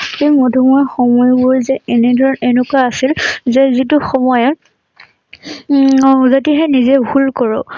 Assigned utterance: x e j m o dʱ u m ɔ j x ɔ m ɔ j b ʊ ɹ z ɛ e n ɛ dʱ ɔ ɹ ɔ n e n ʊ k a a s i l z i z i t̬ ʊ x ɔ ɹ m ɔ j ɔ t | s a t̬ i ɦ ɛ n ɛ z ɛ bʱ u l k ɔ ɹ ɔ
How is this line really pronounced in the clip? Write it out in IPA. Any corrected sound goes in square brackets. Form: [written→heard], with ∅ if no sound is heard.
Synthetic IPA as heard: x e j m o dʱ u m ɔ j x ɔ m ɔ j b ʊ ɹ z ɛ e n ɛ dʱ ɔ ɹ ɔ n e n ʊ k a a s i l z [i→ɛ] z i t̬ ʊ x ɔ [ɹ→∅] m ɔ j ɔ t | [s→z] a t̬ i ɦ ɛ n [ɛ→i] z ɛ bʱ u l k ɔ ɹ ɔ